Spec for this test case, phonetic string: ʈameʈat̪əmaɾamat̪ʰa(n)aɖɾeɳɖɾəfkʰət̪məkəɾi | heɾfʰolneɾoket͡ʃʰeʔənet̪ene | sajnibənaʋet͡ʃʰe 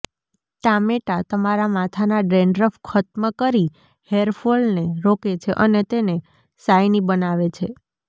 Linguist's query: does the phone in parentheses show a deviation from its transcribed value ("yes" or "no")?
no